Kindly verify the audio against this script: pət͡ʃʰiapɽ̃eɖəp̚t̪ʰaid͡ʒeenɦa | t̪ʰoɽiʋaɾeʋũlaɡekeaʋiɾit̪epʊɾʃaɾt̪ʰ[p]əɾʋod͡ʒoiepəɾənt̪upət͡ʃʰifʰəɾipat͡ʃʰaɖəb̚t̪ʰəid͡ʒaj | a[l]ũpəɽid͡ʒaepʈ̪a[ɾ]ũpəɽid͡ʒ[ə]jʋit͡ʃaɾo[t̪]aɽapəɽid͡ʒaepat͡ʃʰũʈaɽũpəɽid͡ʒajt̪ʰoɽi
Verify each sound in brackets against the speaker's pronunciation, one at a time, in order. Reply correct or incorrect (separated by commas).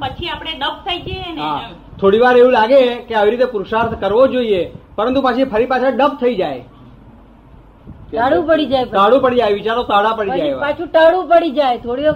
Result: incorrect, incorrect, incorrect, incorrect, correct